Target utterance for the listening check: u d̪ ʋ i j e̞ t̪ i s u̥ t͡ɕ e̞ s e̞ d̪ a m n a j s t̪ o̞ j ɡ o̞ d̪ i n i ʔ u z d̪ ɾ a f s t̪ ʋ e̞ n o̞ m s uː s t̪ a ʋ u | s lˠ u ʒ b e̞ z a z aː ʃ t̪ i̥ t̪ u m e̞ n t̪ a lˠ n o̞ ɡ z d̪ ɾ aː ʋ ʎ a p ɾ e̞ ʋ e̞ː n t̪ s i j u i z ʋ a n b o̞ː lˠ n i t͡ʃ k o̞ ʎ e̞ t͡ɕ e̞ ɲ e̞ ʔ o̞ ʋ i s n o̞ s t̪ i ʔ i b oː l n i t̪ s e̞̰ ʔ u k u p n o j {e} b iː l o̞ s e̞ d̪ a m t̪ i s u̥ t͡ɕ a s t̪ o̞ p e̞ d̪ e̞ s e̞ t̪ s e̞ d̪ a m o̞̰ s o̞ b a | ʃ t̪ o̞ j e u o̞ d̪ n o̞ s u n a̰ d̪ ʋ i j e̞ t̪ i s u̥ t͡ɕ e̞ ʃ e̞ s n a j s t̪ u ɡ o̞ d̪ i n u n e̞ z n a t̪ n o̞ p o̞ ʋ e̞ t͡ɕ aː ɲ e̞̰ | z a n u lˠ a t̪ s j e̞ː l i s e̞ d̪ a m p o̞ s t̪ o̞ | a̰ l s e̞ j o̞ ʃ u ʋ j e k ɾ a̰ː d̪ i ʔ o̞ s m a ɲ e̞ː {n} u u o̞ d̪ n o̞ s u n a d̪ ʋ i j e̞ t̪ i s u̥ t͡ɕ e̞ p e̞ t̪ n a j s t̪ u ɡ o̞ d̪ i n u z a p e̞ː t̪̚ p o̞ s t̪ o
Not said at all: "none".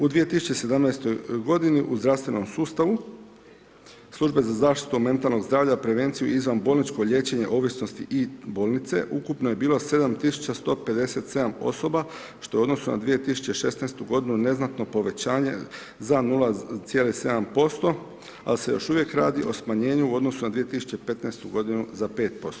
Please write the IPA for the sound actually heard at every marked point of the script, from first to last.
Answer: e, ɲ

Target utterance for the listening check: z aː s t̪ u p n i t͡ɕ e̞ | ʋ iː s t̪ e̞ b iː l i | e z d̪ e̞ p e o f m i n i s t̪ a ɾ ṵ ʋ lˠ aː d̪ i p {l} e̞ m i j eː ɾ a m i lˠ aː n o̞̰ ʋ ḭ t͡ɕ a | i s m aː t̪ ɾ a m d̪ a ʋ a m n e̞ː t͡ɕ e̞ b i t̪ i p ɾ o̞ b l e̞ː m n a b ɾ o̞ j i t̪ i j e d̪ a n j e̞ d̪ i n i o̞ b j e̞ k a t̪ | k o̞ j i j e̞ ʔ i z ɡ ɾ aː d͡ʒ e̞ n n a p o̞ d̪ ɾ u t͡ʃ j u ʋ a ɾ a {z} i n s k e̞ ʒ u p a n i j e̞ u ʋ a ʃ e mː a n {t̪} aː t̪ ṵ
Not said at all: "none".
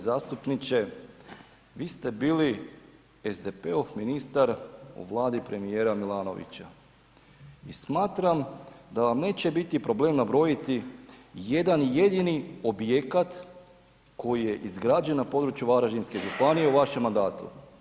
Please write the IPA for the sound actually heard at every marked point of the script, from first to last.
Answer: ɾ, ʒ, d̪

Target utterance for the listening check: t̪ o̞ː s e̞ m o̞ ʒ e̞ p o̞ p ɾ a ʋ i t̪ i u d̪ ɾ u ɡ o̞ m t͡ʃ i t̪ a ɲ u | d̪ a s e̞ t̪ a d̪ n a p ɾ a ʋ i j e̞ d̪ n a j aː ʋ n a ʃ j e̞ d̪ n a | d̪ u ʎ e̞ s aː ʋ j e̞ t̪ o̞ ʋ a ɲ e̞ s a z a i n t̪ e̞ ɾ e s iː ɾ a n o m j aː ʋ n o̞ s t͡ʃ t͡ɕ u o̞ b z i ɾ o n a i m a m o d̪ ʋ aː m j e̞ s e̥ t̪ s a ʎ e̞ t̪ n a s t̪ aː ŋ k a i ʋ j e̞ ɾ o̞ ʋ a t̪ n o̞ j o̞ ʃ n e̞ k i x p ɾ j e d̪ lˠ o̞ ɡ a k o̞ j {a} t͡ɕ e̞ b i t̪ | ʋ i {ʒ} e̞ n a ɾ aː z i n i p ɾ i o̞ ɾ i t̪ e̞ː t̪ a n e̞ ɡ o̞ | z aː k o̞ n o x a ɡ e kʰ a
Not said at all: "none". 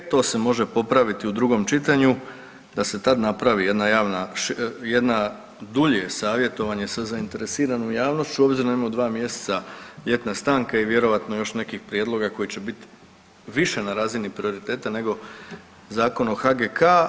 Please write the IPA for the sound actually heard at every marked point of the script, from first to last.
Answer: i, ʃ

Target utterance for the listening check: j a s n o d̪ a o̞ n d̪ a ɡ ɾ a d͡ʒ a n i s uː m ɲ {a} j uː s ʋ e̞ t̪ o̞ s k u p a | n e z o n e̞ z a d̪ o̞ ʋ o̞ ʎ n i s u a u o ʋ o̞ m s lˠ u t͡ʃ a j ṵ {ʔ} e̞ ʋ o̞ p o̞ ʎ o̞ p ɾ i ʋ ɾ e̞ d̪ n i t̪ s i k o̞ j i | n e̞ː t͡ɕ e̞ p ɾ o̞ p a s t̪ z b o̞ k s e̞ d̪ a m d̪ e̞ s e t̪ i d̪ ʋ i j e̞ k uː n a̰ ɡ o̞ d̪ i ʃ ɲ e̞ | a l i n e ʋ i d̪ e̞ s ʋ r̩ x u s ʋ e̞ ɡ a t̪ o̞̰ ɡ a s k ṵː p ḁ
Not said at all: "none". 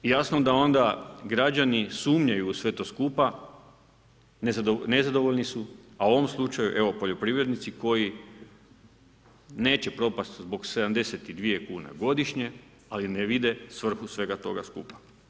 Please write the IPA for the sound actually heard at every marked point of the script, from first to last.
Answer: a, ʔ

